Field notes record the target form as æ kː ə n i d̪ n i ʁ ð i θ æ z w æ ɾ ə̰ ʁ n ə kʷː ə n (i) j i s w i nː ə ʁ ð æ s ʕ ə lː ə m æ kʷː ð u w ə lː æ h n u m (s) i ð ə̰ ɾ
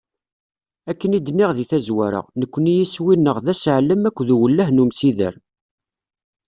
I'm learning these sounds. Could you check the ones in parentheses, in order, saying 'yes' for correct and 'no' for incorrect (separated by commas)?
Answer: yes, yes